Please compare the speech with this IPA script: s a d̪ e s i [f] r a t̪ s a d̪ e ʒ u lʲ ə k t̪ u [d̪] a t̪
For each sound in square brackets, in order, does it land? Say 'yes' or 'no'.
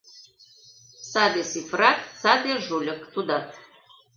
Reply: yes, yes

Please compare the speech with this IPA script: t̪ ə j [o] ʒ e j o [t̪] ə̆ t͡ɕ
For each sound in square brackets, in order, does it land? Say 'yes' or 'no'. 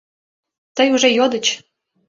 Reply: no, no

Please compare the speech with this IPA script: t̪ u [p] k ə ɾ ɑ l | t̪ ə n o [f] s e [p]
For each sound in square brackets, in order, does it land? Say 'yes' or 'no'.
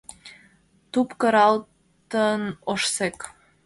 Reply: yes, no, no

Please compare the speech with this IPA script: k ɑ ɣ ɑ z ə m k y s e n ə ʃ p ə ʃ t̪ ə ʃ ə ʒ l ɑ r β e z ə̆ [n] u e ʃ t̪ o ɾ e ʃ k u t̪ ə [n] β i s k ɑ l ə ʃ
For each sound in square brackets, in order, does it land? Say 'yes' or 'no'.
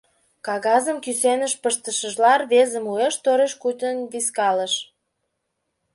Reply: no, yes

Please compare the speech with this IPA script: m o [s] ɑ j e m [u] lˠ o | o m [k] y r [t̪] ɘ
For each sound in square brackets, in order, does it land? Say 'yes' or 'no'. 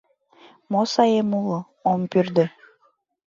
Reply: yes, yes, no, no

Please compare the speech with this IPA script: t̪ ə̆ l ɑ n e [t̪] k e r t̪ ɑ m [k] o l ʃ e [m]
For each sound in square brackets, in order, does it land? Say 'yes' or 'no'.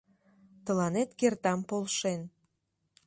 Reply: yes, no, no

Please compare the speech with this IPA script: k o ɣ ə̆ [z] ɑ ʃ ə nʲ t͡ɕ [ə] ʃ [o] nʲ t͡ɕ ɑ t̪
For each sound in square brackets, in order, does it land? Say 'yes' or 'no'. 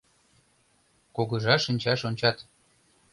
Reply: no, no, yes

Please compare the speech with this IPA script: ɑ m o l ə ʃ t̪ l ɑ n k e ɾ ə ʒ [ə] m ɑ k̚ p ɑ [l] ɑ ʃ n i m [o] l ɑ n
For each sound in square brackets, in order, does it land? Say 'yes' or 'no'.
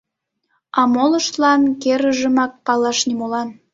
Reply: yes, yes, yes

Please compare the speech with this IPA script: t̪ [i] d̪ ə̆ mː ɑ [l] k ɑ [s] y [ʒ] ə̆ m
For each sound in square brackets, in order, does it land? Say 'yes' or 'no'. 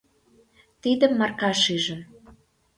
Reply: yes, no, no, yes

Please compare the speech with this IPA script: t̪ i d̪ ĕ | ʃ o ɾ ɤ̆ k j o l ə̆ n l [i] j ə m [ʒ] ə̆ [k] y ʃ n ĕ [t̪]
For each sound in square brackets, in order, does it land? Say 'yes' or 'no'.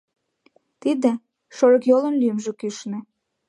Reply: no, yes, yes, no

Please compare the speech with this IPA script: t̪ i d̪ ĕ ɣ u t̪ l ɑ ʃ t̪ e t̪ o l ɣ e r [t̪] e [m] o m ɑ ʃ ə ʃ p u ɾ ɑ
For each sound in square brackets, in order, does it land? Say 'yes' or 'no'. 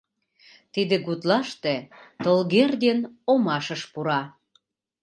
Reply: no, no

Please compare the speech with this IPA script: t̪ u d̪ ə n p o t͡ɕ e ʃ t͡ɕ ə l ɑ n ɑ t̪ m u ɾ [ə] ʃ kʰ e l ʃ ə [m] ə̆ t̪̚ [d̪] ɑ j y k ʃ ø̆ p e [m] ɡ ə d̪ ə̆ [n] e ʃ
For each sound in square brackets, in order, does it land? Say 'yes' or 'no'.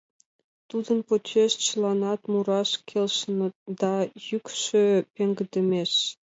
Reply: no, no, yes, no, no

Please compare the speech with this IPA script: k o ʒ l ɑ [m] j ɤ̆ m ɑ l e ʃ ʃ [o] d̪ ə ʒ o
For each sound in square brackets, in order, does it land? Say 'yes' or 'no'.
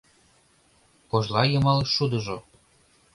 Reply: no, no

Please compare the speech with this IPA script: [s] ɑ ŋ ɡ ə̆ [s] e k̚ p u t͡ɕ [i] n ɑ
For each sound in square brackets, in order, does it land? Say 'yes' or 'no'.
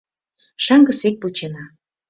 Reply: no, yes, no

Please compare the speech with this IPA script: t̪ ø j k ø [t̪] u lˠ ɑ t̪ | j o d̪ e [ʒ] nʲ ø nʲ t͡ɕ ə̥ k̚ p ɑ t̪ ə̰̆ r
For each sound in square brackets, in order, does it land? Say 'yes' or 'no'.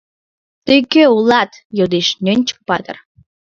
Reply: no, no

